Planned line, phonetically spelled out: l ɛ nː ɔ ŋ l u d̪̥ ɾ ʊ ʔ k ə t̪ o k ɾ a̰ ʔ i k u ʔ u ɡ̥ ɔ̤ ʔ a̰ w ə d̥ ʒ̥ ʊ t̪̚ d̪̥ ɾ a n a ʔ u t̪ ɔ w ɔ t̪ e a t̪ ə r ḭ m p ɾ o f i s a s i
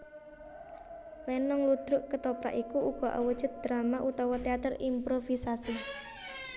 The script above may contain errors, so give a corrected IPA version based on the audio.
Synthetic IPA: l ɛ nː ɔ ŋ l u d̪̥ ɾ ʊ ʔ k ə t̪ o p ɾ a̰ ʔ i k u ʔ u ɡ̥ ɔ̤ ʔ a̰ w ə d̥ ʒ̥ ʊ t̪̚ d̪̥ ɾ a m a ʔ u t̪ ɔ w ɔ t̪ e a t̪ ə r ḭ m p ɾ o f i s a s i